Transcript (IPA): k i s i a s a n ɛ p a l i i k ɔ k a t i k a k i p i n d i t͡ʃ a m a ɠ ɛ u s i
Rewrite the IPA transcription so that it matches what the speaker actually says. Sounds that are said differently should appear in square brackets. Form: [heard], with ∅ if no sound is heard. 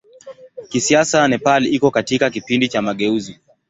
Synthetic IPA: k i s i a s a n ɛ p a l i i k ɔ k a t i k a k i p i n d i t͡ʃ a m a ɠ ɛ u [z] i